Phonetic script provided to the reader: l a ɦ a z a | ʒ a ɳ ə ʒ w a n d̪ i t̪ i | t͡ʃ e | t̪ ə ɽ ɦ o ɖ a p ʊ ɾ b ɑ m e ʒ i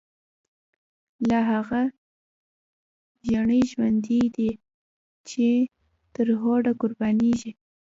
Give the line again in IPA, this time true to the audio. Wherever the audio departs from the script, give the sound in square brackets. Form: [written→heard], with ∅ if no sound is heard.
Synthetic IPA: l a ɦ a [z→ɣ] a | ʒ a ɳ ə ʒ w a n d̪ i [t̪→d̪] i | t͡ʃ e | t̪ ə [ɽ→ɾ] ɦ o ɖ a [p→k] ʊ ɾ b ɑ [m→n] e ʒ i